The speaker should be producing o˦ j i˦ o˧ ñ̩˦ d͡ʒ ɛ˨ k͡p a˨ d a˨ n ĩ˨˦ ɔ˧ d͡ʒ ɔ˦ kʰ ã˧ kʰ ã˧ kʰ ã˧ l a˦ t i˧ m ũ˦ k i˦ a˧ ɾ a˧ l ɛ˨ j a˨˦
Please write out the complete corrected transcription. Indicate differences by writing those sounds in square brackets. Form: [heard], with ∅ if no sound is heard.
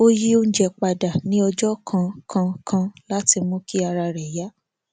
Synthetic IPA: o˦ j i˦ o˧ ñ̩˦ d͡ʒ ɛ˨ k͡p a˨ d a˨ n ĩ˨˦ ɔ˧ d͡ʒ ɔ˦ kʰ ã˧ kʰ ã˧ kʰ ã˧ l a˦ t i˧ m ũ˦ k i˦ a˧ ɾ a˧ [ɾ] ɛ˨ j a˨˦